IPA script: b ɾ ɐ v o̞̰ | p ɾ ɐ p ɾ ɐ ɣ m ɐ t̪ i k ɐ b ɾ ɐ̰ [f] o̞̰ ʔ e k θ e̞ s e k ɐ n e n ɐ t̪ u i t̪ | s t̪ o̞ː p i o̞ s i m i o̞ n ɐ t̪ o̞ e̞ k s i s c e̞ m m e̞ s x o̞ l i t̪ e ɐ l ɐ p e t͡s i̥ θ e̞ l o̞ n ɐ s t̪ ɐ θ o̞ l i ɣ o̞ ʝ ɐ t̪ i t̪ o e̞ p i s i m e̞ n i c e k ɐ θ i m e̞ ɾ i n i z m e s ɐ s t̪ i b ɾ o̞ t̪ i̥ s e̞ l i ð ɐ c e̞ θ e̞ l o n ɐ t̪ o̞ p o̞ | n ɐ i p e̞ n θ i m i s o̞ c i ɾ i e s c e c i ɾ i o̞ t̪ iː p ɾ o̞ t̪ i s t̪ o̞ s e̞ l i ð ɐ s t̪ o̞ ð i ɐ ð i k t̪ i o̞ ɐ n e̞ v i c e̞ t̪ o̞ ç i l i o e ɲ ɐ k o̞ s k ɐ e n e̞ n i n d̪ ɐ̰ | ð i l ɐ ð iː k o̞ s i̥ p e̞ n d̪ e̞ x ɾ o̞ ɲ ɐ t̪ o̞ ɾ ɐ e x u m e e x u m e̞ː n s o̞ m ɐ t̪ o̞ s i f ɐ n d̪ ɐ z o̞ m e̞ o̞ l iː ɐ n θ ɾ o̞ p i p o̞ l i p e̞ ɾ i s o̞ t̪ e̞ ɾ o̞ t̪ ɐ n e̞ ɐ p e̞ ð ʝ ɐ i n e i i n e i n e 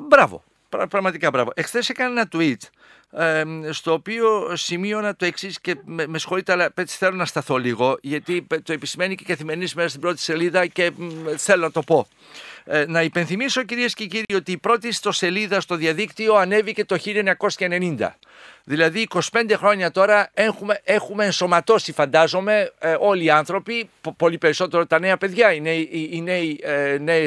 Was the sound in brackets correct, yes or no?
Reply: no